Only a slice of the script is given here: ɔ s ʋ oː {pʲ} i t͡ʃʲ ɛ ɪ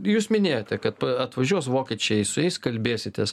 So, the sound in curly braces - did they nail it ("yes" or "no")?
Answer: no